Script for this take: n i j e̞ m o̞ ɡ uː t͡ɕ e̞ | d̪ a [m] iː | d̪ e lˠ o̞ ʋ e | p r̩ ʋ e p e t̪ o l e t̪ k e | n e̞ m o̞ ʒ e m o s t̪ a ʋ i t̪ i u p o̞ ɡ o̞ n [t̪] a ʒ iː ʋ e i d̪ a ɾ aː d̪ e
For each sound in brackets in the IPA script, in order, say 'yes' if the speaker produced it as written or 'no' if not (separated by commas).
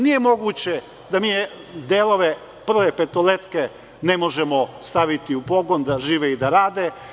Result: yes, no